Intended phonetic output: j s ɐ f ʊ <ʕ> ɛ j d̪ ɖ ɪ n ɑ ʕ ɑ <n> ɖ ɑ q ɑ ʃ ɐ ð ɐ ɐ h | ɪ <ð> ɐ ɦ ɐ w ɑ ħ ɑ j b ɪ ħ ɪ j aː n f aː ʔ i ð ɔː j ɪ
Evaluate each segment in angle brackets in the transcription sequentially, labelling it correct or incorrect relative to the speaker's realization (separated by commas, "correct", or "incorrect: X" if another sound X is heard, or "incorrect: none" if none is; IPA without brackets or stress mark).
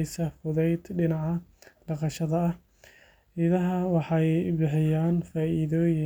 incorrect: ð, incorrect: none, correct